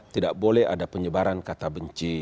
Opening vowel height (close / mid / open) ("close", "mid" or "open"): close